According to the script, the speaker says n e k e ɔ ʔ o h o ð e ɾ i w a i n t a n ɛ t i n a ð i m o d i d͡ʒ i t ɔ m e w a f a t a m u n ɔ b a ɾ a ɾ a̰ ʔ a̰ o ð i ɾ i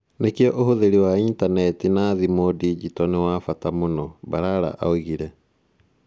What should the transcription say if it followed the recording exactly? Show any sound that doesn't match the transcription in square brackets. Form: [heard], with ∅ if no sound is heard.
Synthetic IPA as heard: n e k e ɔ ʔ o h o ð e ɾ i w a i n t a n ɛ t i n a ð i m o d i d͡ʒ i t ɔ [n] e w a f a t a m [o] n ɔ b a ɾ a ɾ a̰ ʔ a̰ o [ɣ] i ɾ [ɛ]